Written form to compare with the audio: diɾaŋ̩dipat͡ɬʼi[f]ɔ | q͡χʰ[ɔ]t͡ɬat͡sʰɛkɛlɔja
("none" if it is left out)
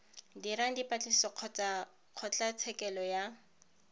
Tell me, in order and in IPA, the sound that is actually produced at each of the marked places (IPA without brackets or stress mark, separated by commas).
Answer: s, ɔ